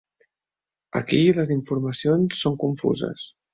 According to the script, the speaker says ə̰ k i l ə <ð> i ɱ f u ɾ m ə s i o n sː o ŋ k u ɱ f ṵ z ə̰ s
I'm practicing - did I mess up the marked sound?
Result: yes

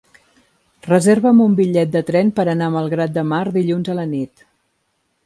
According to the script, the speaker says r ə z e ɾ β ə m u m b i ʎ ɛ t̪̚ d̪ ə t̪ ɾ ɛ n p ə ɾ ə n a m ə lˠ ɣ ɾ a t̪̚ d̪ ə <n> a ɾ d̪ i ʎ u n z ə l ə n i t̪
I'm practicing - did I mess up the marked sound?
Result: yes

